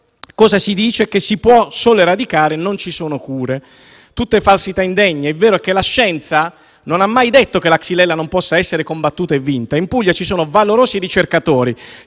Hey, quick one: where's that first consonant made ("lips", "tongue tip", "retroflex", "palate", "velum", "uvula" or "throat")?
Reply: velum